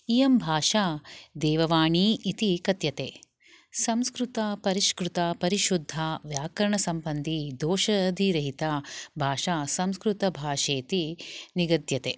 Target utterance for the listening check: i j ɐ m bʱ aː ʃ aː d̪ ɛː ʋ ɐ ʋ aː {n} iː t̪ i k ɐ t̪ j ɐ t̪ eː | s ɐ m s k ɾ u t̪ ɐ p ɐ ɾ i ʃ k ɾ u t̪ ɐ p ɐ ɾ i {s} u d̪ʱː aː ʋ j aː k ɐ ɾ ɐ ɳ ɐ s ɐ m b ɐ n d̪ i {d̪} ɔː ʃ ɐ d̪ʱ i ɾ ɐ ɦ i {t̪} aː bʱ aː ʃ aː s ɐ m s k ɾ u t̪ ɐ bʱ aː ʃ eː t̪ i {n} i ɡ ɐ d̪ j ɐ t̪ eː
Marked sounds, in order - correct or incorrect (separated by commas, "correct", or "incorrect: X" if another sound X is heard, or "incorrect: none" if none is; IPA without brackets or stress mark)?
incorrect: ɳ, incorrect: ʃ, correct, correct, correct